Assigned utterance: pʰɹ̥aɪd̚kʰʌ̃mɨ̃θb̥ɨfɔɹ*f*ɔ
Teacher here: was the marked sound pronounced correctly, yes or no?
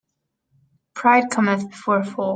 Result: yes